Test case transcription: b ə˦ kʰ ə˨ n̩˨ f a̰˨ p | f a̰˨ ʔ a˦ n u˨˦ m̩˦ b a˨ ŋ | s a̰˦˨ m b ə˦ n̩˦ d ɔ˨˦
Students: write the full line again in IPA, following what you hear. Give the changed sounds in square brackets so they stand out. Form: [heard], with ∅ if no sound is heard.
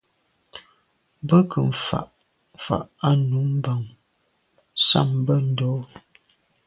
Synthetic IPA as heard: b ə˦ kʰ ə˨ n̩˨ f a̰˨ [ʔ] | f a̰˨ ʔ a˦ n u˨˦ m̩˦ b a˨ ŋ | s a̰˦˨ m b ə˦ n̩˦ d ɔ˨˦

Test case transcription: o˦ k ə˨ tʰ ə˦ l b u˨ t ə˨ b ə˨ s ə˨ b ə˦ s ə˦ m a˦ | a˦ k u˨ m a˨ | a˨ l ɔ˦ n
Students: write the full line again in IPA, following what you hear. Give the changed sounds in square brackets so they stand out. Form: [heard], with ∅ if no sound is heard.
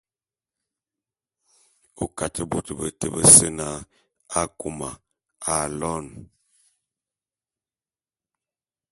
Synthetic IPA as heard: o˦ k [a˨] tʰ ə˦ [∅] b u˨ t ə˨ b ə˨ [t] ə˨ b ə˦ s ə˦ [n] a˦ | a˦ k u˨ m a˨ | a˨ l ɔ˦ n

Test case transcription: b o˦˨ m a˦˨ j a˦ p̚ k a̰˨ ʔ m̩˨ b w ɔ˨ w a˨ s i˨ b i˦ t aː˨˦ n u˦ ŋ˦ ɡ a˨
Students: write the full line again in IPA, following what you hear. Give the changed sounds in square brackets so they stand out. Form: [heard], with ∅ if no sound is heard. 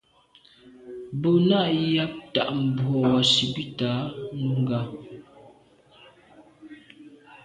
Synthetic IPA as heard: b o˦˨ [n] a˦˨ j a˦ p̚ [t] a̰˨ ʔ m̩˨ b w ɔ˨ w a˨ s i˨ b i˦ t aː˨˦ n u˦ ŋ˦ ɡ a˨

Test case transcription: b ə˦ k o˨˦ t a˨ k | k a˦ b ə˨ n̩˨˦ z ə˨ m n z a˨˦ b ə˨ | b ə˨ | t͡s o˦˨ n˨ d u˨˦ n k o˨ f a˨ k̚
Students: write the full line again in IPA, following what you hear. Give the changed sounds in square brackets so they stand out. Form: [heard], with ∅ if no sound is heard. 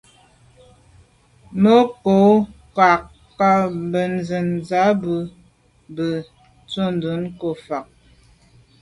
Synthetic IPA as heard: [m] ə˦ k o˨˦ [k] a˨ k | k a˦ b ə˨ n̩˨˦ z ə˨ [∅] n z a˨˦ b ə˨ | b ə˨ | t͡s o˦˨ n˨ d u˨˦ n k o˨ f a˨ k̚

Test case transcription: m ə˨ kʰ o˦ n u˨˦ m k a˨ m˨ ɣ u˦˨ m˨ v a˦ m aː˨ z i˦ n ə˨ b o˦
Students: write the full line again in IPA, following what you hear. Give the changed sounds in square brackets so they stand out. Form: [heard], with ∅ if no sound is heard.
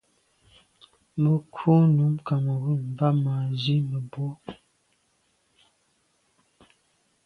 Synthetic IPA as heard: m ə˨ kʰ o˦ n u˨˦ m k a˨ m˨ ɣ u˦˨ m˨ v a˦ m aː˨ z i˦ [m] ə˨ b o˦

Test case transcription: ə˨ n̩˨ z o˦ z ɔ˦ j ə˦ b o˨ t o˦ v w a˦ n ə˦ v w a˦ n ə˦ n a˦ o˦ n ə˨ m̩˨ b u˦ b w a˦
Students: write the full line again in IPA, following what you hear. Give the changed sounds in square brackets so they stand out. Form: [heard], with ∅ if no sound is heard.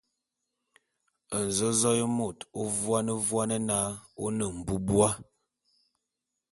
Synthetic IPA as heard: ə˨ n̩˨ z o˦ z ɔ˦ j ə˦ [m] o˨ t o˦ v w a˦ n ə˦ v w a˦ n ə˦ n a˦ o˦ n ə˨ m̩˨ b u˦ b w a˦

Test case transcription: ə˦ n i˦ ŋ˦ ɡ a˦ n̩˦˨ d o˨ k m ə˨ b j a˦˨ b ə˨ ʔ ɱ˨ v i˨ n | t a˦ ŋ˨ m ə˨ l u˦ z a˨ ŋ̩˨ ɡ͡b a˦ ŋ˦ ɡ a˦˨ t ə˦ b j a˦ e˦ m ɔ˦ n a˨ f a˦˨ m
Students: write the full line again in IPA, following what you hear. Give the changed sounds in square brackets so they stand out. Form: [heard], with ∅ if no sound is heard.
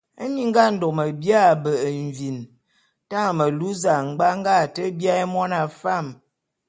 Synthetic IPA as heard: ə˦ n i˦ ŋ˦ ɡ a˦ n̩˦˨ d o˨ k m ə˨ b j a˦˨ b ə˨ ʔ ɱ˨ v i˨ n | t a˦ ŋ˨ m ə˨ l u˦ z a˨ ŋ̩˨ ɡ͡b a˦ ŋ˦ ɡ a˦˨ t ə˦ b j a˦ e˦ m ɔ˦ n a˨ f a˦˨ m

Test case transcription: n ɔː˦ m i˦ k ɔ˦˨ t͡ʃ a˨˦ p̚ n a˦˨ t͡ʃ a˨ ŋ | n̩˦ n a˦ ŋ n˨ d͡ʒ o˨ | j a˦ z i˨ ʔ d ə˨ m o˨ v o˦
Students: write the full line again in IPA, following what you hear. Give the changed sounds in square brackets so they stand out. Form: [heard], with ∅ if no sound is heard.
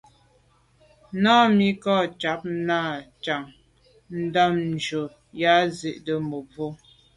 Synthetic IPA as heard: n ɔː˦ m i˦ k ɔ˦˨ t͡ʃ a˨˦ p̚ n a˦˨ t͡ʃ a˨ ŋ | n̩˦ [d] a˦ [m] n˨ d͡ʒ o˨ | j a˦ z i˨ ʔ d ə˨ m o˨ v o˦

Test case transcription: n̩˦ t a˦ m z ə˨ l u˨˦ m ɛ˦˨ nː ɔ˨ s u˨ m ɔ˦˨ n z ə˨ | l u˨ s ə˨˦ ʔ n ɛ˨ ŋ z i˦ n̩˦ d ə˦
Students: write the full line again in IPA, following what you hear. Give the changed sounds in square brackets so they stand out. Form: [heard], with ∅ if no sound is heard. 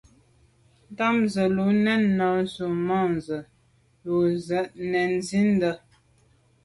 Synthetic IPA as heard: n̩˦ t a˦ m z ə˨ l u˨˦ [n] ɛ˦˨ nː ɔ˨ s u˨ m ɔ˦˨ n z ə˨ | l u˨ [z] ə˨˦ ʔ n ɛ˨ [n] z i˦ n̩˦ d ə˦

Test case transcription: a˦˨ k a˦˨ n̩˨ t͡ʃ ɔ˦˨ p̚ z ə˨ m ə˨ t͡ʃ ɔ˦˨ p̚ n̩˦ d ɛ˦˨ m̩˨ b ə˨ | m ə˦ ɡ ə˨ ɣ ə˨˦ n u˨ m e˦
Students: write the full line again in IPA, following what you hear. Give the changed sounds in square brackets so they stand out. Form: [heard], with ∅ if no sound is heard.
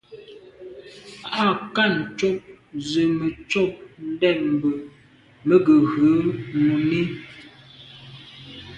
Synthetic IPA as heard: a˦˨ k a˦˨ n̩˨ t͡ʃ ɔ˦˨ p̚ z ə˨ m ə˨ t͡ʃ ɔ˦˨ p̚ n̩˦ d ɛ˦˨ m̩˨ b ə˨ | m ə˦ ɡ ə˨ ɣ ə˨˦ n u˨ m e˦

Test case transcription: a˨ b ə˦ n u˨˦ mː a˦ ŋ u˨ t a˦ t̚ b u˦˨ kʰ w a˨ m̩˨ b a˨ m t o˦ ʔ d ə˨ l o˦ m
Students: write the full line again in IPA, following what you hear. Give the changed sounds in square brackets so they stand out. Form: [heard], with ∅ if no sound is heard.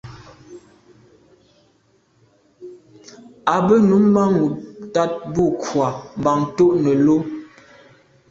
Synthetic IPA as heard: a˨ b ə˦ n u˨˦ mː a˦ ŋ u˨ t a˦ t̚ b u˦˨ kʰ w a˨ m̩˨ b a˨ [ŋ] t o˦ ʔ [n] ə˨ l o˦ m

